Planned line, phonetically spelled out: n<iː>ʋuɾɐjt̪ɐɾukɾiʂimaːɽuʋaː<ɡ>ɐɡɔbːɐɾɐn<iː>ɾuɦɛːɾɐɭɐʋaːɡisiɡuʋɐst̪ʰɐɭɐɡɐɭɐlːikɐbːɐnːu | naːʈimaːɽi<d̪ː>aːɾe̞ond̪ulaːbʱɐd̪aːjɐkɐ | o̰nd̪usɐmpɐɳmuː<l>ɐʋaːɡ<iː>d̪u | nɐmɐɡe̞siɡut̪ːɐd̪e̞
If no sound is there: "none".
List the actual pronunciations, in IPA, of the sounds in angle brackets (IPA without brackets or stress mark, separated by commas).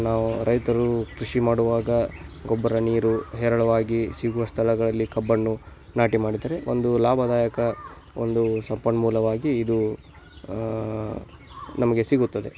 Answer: aː, ɡ, iː, d̪, l, iː